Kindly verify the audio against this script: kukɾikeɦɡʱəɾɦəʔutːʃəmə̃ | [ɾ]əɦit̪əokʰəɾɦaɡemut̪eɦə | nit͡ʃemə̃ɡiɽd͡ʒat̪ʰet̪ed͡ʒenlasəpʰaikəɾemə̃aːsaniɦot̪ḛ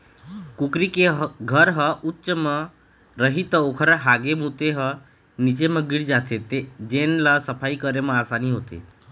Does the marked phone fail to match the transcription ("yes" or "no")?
no